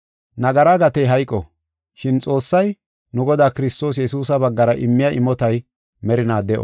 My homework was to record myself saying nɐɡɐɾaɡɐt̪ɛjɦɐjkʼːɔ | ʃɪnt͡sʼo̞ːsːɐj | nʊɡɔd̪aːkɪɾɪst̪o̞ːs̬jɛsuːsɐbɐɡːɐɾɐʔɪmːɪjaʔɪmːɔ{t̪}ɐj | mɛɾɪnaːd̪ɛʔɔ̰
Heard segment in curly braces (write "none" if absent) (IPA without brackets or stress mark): t̪